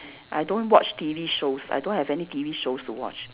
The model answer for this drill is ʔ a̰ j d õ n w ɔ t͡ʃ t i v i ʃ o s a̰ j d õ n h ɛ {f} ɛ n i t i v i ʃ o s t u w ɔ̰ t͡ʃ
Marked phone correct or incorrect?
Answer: incorrect